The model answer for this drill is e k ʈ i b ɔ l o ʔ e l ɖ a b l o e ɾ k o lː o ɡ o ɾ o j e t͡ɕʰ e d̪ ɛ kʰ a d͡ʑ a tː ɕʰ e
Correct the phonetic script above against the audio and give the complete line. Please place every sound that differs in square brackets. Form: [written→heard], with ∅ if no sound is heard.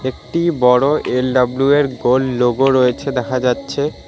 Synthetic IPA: e k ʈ i b ɔ [l→ɽ] o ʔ e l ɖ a b l [o→u] e ɾ [k→ɡ] o lː o ɡ o ɾ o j e t͡ɕʰ e d̪ ɛ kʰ a d͡ʑ a tː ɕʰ e

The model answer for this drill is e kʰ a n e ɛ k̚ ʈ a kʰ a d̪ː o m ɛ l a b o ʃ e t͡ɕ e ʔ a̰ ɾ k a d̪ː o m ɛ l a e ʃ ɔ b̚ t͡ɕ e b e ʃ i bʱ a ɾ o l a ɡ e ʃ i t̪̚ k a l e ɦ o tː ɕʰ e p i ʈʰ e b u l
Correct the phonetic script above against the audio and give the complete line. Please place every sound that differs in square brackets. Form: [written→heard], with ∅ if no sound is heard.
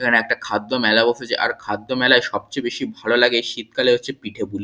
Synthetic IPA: e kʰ a n e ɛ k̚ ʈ a kʰ a d̪ː o m ɛ l a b o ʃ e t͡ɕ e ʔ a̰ ɾ [k→kʰ] a d̪ː o m ɛ l a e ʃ ɔ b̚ t͡ɕ e b e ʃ i bʱ a [ɾ→l] o l a ɡ e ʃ i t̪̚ k a l e ɦ o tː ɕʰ e p i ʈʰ e b u l

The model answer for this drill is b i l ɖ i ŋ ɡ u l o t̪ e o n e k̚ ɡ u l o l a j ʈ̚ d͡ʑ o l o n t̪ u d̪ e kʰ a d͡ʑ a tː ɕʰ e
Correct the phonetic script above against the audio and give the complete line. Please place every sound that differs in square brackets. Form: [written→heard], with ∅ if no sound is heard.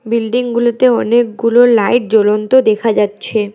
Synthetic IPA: b i l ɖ i ŋ ɡ u l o t̪ e [o→ɔ] n e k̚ ɡ u l o l a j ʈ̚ d͡ʑ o l o n t̪ [u→o] d̪ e kʰ a d͡ʑ a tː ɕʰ e

